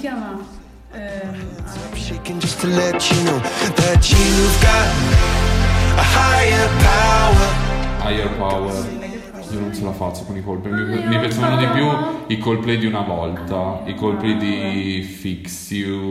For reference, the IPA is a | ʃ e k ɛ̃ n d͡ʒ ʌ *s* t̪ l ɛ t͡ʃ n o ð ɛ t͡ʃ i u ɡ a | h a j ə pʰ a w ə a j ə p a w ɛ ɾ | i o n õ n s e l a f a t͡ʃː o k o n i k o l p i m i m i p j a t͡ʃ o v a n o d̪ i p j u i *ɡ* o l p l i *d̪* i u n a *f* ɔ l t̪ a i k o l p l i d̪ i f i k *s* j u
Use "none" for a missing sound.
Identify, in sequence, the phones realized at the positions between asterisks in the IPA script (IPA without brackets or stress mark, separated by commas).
s, k, d̪, v, s